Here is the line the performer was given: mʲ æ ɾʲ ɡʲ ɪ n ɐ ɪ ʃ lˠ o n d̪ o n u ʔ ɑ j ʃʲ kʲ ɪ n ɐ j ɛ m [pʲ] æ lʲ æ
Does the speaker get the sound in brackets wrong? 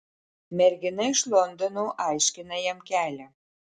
yes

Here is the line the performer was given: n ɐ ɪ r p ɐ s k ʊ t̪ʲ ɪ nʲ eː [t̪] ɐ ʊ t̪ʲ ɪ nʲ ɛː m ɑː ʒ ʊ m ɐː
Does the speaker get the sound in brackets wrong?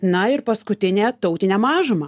no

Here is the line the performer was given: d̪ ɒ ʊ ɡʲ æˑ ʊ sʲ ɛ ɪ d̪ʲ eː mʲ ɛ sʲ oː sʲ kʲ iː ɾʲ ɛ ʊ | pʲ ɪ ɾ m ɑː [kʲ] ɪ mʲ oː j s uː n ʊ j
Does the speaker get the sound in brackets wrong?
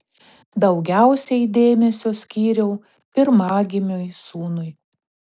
yes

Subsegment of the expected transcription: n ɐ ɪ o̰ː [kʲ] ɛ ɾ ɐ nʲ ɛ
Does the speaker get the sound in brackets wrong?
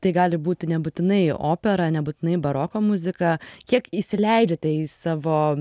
yes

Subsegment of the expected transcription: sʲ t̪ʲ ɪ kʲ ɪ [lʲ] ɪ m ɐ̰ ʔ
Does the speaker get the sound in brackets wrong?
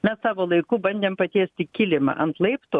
no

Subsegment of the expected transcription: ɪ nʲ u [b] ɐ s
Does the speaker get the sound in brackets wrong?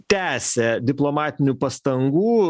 yes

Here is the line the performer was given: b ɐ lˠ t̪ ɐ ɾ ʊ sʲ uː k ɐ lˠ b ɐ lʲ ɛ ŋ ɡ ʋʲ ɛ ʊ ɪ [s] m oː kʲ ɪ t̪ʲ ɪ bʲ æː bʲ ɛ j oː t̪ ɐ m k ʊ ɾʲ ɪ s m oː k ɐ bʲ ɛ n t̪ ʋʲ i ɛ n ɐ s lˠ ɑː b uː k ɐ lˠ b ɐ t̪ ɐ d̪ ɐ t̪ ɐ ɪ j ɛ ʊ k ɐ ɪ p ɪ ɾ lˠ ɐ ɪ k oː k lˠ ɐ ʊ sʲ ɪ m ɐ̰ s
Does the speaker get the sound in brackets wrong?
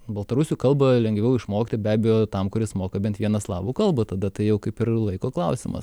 yes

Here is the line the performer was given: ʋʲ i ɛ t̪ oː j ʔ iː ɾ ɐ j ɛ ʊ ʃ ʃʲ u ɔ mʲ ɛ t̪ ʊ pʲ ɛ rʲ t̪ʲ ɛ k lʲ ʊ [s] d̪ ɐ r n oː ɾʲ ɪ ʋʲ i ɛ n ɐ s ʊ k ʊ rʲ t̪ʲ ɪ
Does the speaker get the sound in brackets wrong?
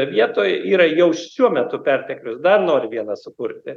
no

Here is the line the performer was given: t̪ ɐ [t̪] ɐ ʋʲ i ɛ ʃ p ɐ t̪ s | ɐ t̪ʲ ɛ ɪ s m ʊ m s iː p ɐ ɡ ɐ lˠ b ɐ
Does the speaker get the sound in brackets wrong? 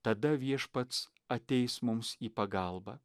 yes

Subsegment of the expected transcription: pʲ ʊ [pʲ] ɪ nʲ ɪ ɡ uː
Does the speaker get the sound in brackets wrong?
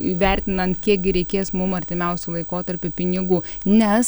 no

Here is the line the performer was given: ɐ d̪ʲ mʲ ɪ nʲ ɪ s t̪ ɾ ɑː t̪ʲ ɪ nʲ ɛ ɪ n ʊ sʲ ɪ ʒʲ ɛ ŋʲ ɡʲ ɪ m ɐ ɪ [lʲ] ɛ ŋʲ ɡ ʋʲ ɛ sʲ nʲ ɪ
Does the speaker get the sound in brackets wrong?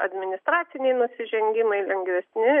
no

